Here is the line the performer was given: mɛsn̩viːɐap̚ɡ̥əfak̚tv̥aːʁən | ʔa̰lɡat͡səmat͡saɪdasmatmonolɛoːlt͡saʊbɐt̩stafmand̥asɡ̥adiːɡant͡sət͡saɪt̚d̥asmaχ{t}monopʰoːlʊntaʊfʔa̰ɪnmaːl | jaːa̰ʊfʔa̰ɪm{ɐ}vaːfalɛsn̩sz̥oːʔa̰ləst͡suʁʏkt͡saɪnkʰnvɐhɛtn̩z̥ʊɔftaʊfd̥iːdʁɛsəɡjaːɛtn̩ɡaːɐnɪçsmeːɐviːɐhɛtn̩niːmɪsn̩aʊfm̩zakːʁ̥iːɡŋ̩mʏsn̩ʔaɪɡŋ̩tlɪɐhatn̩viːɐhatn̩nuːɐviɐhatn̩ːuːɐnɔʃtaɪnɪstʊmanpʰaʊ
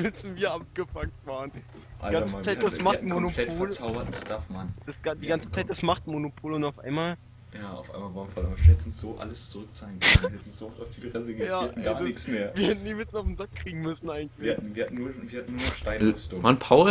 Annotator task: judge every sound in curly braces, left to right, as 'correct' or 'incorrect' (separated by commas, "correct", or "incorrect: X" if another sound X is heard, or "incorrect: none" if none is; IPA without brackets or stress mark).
correct, incorrect: a